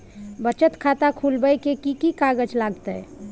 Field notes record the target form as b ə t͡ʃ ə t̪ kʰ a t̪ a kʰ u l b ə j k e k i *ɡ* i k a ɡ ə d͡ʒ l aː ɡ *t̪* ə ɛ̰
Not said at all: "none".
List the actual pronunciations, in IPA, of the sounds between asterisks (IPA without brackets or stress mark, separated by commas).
k, t̪